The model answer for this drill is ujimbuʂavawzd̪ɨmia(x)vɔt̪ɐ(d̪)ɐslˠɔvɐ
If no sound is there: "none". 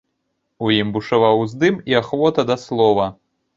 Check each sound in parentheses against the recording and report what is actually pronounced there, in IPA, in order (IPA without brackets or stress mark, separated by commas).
x, d̪